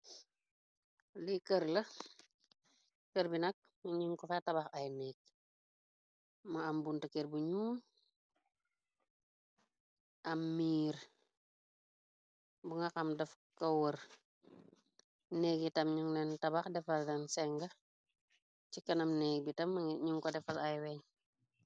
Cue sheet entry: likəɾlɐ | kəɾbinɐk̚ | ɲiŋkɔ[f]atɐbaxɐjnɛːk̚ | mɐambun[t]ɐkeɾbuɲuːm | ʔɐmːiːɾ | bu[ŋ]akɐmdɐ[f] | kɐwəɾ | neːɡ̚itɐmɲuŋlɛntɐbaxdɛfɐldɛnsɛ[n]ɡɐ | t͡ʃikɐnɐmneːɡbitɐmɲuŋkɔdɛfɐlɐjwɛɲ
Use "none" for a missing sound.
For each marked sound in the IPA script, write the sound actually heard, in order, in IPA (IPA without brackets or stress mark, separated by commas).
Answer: f, t, ŋ, f, ŋ